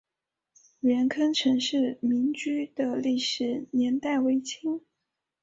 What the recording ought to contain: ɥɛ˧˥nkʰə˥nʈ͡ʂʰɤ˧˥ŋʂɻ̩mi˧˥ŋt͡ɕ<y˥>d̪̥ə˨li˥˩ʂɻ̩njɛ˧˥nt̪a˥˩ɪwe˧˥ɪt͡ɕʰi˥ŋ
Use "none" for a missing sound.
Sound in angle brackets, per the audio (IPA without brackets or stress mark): y˥